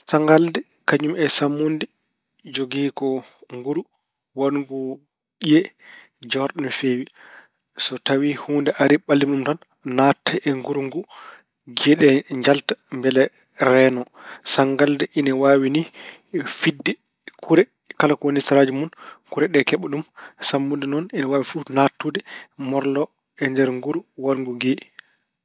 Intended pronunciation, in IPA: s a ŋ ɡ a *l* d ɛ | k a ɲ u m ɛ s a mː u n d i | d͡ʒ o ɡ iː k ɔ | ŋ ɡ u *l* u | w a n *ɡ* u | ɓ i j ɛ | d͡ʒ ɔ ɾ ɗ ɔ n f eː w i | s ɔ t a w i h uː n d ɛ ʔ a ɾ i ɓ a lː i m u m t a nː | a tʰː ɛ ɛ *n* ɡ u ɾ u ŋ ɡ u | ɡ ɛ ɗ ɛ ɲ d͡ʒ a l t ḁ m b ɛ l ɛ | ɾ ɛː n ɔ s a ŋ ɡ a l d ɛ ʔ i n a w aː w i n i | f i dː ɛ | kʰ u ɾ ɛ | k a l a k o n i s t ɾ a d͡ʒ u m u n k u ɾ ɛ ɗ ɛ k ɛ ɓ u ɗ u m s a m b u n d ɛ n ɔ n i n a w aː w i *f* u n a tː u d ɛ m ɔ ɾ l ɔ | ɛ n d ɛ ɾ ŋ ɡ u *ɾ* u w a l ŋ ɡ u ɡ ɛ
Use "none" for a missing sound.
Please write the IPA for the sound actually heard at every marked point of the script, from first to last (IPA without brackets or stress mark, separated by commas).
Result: l, ɾ, ɡ, ŋ, f, ɾ